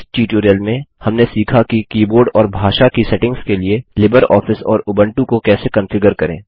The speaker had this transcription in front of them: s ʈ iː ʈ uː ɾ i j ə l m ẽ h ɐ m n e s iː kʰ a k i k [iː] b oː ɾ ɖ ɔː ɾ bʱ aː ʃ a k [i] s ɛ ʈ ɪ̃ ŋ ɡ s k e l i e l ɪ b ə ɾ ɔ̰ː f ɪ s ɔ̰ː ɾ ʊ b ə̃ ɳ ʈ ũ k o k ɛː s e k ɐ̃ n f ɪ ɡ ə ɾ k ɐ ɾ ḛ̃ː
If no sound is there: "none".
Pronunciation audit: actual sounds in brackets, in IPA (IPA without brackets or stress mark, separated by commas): iː, i